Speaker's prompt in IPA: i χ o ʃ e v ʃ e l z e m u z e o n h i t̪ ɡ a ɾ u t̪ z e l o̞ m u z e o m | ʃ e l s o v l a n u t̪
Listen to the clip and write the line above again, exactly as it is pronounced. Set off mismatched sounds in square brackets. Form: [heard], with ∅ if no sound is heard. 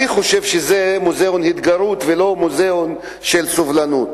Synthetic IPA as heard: i χ o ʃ e v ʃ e [∅] z e m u z e o n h i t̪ ɡ a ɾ u t̪ [v] e l o̞ m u z e o [n] | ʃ e l s o v l a n u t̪